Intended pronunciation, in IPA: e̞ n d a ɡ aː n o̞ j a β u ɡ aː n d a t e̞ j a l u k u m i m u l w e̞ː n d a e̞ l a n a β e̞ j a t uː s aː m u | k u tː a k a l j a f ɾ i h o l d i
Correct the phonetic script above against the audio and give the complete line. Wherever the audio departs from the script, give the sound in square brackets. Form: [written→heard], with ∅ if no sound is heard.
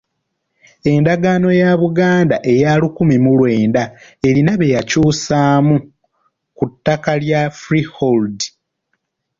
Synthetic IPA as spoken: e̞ n d a ɡ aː n o̞ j a β u ɡ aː n d a [t→ʔ] e̞ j a l u k u m i m u l w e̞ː n d a e̞ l [a→i] n a β e̞ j a [t→c] uː s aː m u | k u tː a k a l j a f ɾ i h o l d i